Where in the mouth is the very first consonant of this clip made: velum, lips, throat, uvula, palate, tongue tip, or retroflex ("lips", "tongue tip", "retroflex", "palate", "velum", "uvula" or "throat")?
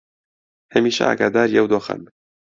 throat